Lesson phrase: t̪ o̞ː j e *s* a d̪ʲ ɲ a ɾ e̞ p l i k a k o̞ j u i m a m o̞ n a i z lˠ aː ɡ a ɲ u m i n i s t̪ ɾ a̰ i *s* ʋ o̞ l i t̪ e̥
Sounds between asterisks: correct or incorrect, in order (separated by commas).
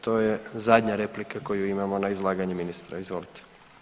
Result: incorrect, incorrect